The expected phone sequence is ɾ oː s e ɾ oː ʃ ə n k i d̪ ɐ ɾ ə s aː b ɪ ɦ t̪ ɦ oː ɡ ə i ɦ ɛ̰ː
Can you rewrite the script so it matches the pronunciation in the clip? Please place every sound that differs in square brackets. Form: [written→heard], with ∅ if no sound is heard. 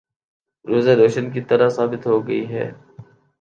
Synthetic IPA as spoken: ɾ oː [s→z] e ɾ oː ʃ ə n k i [d̪→t̪] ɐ ɾ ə s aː b ɪ [ɦ→∅] t̪ ɦ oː ɡ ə i ɦ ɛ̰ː